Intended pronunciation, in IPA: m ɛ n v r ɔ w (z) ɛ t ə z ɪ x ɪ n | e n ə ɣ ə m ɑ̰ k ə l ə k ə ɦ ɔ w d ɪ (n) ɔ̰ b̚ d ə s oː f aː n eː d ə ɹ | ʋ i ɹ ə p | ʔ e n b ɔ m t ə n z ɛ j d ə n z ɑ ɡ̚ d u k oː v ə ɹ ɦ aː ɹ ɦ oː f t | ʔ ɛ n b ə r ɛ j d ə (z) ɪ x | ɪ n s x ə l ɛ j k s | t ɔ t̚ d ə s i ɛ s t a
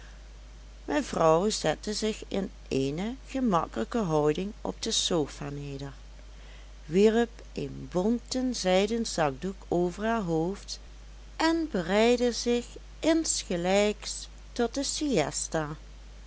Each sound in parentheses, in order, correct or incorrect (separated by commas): correct, incorrect, correct